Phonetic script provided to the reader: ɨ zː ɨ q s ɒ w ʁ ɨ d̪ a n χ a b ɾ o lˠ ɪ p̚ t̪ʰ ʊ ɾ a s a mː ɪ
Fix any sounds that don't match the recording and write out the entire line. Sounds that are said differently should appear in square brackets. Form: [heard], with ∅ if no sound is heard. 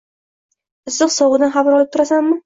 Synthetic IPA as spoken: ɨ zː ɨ q s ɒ w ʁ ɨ d̪ a n χ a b ɾ [ɒ] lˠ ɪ p̚ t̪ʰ ʊ ɾ a s a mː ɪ